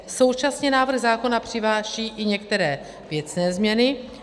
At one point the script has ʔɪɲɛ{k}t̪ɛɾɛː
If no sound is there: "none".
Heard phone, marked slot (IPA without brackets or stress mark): k